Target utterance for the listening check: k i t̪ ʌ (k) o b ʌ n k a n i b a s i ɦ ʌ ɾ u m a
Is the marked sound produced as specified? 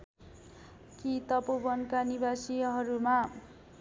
no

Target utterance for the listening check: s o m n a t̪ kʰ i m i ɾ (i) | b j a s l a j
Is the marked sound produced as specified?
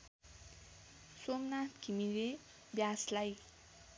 no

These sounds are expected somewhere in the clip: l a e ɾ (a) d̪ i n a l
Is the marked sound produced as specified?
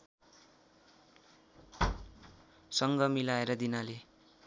no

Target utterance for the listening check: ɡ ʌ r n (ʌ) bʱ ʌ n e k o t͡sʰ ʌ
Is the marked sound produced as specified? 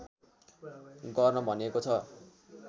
yes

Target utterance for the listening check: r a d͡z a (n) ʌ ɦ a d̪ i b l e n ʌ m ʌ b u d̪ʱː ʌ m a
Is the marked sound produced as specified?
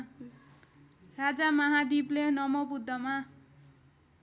no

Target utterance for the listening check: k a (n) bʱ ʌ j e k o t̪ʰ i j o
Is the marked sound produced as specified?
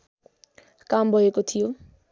no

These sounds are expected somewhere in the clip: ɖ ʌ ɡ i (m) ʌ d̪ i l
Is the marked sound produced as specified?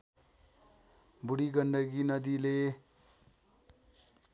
no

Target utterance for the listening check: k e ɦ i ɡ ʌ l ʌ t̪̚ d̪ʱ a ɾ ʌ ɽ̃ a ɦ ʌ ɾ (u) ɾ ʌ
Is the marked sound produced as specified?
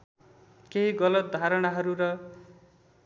yes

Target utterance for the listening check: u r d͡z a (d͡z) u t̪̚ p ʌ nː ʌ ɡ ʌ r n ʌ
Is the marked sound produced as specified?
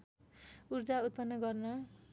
no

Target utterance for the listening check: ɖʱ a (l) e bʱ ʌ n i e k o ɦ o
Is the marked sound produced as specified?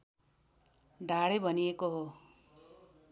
no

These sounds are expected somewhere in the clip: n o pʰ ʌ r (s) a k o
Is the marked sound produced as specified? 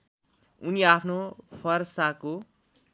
yes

